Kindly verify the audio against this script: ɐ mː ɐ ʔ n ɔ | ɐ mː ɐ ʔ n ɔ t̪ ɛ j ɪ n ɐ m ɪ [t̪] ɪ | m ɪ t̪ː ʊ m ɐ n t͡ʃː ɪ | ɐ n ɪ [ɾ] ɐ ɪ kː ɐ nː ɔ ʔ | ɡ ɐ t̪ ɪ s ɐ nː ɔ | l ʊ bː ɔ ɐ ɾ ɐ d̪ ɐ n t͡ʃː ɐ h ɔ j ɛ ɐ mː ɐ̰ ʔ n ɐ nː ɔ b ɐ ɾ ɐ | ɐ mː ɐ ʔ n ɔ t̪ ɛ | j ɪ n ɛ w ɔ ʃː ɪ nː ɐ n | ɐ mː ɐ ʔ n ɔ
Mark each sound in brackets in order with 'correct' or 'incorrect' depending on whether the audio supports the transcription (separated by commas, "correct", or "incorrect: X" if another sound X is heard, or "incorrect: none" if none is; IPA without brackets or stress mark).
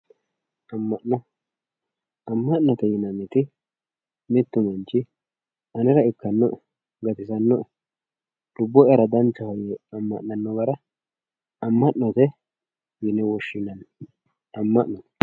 correct, correct